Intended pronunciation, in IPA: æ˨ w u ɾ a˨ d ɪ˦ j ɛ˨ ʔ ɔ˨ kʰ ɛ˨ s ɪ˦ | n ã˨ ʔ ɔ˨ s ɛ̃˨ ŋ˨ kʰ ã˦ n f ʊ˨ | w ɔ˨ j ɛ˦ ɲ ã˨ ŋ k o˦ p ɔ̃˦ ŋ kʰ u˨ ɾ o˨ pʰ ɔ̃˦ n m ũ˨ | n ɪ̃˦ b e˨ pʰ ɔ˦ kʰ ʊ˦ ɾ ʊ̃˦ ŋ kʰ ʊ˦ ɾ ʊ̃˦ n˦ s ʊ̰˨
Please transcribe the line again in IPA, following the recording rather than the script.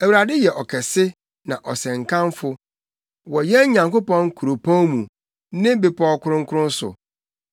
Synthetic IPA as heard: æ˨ w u ɾ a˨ d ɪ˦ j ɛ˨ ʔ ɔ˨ kʰ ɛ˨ s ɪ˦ | n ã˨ ʔ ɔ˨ s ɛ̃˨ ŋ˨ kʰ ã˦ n f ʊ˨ | w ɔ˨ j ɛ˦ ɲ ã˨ ŋ k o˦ p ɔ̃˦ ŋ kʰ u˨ ɾ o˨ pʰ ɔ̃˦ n m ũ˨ | n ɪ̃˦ b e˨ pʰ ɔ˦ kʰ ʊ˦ ɾ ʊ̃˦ ŋ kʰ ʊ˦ ɾ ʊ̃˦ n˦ s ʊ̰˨

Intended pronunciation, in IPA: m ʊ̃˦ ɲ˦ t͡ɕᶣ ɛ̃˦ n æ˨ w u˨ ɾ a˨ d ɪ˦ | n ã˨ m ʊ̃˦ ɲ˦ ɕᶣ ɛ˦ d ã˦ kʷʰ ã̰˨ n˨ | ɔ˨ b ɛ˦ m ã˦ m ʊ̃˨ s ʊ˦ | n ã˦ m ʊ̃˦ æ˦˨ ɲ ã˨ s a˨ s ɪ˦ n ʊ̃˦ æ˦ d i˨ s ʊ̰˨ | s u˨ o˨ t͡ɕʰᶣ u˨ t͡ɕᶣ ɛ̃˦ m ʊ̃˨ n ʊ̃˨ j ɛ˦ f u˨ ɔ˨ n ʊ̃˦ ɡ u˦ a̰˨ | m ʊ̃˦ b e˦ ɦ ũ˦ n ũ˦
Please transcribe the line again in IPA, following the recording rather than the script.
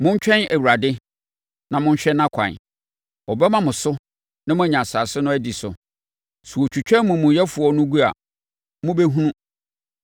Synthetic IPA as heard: m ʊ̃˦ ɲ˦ t͡ɕᶣ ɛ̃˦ n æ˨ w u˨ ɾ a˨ d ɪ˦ | n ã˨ m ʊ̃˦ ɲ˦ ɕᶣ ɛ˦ n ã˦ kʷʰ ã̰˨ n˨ | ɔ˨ b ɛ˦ m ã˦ m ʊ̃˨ s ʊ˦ | n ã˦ m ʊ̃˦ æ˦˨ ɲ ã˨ s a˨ s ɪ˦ n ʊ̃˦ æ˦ d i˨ s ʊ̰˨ | s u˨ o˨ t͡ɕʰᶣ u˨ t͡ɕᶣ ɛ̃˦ m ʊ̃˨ m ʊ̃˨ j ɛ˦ f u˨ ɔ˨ n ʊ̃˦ ɡ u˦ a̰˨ | m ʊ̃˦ b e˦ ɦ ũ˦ n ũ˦

